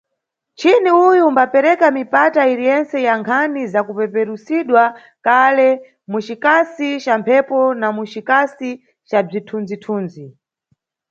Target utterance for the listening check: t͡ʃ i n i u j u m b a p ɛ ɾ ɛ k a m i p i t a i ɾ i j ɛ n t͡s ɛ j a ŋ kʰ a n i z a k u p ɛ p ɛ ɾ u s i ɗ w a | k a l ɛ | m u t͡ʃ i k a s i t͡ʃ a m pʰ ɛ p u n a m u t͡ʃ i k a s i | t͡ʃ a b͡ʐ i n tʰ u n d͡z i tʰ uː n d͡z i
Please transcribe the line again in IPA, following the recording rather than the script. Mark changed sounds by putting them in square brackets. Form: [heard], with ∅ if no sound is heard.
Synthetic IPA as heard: t͡ʃ i n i u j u m b a p ɛ ɾ ɛ k a m i p [a] t a i ɾ i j ɛ n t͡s ɛ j a ŋ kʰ a n i z a k u p ɛ p ɛ ɾ u s i ɗ w a | k a l ɛ | m u t͡ʃ i k a s i t͡ʃ a m pʰ ɛ p [ɔ] n a m u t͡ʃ i k a s i | t͡ʃ a b͡ʐ i [∅] tʰ u n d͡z i tʰ uː n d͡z i